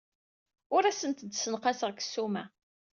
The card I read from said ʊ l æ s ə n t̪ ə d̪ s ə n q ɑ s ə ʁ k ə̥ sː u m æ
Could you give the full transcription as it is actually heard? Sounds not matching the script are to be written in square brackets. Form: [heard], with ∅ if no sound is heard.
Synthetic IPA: ʊ [ɾ] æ s ə n t̪ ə d̪ s ə n q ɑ s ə ʁ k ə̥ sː u m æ